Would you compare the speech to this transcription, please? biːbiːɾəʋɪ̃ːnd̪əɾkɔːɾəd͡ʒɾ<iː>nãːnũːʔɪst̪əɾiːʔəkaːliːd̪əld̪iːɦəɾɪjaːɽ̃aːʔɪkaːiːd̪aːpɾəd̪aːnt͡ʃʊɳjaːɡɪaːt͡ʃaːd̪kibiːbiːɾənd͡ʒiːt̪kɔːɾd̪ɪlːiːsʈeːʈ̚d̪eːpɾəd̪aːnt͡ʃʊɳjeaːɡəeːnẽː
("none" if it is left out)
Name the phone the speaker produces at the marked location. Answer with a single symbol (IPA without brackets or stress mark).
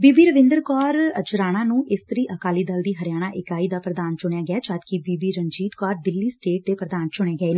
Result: aː